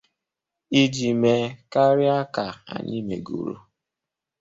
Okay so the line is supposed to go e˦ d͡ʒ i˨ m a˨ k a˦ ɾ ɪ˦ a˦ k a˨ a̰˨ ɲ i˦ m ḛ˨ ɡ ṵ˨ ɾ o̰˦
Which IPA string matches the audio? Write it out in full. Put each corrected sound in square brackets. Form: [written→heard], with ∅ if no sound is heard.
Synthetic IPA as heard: [e˦→i˦] d͡ʒ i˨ m [a˨→e˨] k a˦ ɾ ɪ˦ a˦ k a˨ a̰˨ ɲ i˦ m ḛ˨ ɡ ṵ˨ ɾ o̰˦